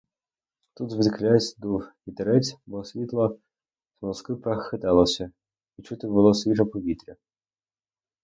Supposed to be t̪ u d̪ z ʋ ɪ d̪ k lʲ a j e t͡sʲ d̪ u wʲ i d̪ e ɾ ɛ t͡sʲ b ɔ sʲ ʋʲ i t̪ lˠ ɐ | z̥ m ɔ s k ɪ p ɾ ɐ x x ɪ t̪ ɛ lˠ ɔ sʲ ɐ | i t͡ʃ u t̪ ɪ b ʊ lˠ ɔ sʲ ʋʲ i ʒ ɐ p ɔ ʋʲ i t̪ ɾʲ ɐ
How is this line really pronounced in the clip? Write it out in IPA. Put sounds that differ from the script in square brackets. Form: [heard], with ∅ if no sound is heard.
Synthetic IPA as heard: t̪ u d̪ z ʋ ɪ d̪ k lʲ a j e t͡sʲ d̪ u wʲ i [t̪] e ɾ ɛ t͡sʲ b ɔ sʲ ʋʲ i t̪ lˠ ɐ | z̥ m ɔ s k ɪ p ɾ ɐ x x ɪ t̪ ɛ lˠ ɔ sʲ ɐ | i t͡ʃ u t̪ ɪ b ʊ lˠ ɔ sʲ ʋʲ i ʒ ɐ p ɔ ʋʲ i t̪ ɾʲ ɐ